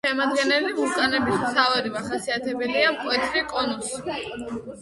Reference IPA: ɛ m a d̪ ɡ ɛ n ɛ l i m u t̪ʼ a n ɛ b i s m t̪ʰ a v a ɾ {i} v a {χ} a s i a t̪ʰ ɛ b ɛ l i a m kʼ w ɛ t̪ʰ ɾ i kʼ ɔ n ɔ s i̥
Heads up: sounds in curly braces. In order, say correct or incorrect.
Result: correct, correct

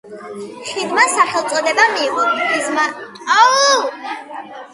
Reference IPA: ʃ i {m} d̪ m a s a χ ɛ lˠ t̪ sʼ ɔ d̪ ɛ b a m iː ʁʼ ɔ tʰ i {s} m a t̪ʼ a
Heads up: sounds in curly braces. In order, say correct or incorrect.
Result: incorrect, incorrect

